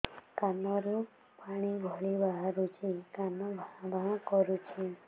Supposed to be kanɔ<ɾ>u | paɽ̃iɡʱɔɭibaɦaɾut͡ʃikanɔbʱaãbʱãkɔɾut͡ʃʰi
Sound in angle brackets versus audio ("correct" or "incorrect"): correct